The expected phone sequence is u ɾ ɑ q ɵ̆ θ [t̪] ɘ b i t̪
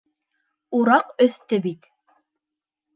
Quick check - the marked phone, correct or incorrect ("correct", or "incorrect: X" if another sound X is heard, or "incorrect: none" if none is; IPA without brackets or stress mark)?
correct